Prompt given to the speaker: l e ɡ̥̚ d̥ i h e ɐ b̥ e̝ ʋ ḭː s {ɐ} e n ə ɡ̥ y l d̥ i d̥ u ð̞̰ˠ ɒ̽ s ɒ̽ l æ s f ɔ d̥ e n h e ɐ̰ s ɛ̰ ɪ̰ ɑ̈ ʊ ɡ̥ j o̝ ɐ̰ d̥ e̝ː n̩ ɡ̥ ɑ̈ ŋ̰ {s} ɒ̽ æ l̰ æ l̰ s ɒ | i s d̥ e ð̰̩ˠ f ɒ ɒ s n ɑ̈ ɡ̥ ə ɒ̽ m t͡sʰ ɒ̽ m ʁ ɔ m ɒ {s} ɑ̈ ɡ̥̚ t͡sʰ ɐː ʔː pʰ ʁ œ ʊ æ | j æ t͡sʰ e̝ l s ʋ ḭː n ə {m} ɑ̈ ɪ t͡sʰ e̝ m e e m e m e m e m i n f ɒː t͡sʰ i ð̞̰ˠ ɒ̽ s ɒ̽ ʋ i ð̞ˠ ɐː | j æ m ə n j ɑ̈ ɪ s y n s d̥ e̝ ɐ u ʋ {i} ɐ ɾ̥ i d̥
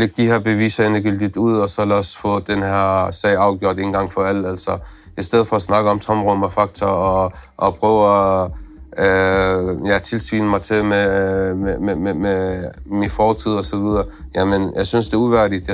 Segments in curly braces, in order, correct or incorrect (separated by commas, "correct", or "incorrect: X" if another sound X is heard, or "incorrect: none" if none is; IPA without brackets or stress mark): correct, incorrect: f, incorrect: f, correct, incorrect: æ